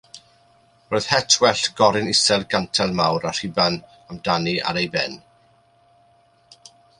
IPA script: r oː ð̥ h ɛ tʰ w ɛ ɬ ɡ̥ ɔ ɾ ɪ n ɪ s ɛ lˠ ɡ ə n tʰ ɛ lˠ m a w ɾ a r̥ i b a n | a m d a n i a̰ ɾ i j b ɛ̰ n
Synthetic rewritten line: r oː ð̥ h ɛ tʰ w ɛ ɬ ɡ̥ ɔ ɾ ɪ n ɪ s ɛ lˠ ɡ a n tʰ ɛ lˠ m a w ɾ a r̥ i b a n | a m d a n i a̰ ɾ e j b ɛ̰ n